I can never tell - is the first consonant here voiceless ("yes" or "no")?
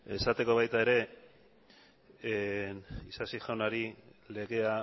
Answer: yes